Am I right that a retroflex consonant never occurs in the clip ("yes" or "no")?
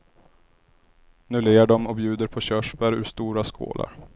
no